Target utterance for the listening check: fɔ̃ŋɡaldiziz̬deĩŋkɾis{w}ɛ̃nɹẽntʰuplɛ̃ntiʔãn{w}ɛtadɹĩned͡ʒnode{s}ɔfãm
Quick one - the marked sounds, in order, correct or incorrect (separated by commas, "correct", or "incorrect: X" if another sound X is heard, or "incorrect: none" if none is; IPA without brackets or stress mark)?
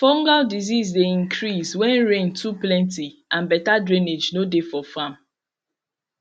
correct, incorrect: b, incorrect: f